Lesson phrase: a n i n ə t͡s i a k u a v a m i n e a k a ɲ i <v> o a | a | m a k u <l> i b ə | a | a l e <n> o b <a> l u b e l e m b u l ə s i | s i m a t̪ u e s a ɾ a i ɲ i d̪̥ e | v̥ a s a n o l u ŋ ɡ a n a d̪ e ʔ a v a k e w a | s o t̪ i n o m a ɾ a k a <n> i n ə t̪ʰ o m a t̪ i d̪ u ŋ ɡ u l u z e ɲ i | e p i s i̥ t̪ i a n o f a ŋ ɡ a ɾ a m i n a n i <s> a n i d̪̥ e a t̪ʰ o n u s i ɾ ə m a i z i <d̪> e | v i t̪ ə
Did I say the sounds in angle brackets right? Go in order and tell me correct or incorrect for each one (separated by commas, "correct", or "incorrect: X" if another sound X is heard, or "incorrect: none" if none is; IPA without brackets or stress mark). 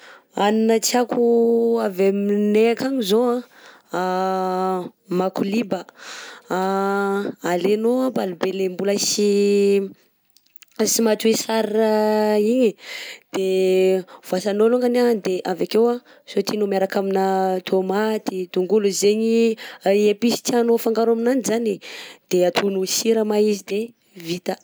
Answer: incorrect: z, correct, correct, correct, incorrect: m, incorrect: z, correct